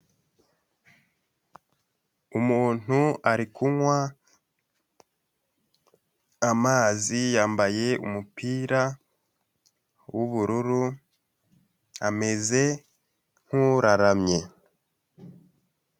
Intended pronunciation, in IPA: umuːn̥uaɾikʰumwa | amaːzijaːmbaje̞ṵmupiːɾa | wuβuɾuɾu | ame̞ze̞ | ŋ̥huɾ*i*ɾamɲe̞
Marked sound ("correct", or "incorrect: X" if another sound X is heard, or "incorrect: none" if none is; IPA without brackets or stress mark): incorrect: a